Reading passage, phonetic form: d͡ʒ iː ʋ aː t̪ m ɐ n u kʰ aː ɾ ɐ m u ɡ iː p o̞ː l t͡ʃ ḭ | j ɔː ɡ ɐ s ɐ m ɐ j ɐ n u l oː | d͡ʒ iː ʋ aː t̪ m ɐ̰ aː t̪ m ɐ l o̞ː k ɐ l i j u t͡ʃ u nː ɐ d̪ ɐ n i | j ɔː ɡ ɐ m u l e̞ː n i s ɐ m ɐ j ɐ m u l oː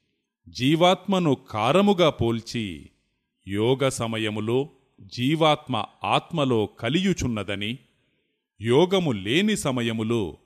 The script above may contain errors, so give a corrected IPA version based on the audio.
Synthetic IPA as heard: d͡ʒ iː ʋ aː t̪ m ɐ n u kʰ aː ɾ ɐ m u ɡ aː p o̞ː l t͡ʃ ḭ | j ɔː ɡ ɐ s ɐ m ɐ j ɐ m u l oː | d͡ʒ iː ʋ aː t̪ m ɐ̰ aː t̪ m ɐ l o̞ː k ɐ l i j u t͡ʃ u nː ɐ d̪ ɐ n i | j ɔː ɡ ɐ m u l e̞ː n i s ɐ m ɐ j ɐ m u l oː